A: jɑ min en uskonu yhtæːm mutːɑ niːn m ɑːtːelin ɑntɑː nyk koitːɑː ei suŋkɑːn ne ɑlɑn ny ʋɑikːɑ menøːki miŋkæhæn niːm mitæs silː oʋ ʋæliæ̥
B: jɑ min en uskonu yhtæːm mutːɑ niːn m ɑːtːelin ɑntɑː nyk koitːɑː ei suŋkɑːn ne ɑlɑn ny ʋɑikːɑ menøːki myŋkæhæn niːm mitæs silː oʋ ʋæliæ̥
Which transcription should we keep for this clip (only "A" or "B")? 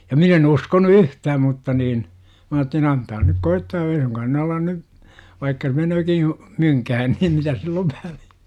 B